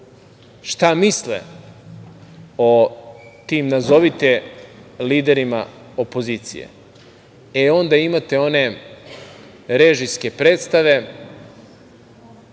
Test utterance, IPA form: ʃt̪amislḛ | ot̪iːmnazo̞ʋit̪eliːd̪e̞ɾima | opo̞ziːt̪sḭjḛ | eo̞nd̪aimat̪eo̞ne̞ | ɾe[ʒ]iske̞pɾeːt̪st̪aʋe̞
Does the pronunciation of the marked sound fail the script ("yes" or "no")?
no